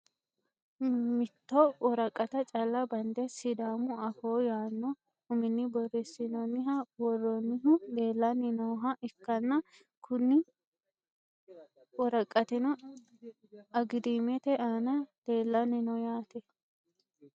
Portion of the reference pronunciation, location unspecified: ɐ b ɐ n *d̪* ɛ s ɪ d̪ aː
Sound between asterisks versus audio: correct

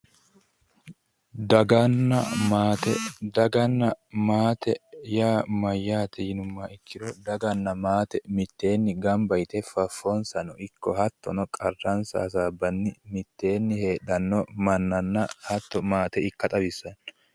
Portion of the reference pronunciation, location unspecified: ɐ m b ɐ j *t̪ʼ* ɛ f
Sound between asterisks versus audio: incorrect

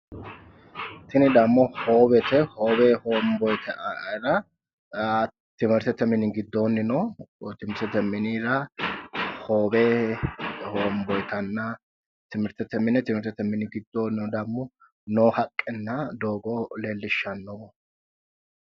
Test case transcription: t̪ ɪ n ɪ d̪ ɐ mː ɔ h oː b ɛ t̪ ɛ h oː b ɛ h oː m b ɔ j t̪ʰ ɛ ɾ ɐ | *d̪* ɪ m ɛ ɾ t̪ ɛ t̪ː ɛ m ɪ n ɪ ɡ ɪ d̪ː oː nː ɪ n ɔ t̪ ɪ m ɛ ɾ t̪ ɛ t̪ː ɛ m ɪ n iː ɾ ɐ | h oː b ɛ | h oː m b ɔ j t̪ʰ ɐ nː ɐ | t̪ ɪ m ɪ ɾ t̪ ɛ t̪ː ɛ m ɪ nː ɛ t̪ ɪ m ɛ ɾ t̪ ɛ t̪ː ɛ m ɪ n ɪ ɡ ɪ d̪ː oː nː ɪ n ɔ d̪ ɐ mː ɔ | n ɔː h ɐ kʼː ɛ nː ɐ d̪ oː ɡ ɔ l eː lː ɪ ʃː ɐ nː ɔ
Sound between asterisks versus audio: incorrect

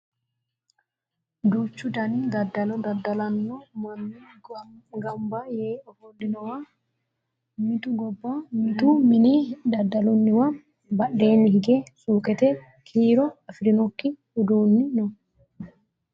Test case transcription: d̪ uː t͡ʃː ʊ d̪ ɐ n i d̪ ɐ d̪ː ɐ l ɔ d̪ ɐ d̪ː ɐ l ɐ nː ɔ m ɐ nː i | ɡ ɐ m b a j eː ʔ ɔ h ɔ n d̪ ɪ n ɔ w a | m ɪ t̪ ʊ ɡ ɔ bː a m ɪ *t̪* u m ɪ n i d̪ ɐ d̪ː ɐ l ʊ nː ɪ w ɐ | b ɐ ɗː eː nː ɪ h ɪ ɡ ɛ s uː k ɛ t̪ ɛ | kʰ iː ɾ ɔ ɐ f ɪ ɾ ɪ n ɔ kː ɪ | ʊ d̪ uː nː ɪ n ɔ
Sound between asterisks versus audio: correct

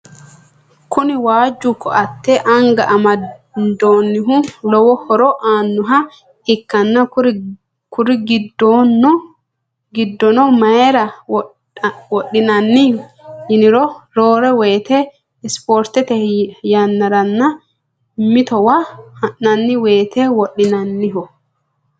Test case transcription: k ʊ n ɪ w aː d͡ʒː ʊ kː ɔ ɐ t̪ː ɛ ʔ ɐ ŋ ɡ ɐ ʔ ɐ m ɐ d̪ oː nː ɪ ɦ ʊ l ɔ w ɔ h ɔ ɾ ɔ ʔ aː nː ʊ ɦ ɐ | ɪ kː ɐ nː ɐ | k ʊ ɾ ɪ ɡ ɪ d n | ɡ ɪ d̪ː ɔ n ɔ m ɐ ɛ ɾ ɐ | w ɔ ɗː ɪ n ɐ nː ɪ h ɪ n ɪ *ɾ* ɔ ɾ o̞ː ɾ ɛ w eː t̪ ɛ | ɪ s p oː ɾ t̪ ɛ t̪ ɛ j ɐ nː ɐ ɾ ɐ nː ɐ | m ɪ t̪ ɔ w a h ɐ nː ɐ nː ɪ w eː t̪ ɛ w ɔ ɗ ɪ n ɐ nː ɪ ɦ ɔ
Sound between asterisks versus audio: correct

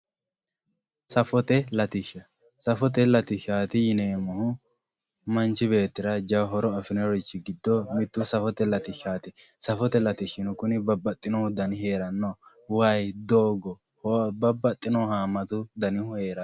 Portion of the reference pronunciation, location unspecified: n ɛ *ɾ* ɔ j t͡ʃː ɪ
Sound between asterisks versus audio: correct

